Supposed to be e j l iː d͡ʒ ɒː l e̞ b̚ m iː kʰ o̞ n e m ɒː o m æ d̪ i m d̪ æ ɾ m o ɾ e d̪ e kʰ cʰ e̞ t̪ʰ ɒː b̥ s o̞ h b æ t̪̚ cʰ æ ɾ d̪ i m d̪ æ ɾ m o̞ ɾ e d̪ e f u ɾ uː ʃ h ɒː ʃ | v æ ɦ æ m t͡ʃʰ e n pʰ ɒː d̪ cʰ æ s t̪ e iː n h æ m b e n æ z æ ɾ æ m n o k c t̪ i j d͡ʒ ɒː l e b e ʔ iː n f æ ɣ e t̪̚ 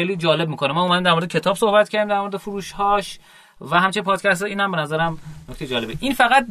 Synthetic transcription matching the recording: e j l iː d͡ʒ ɒː l e̞ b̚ m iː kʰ o̞ n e m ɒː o m æ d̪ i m d̪ æ ɾ m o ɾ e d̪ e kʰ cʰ e̞ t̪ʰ ɒː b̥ s o̞ h b æ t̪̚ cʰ æ ɾ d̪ i m d̪ æ ɾ m o̞ ɾ e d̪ e f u ɾ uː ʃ h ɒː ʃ | v æ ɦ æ m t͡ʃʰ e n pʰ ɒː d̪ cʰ æ s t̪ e iː n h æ m b e n æ z æ ɾ æ m n o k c t̪ e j d͡ʒ ɒː l e b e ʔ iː n f æ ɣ æ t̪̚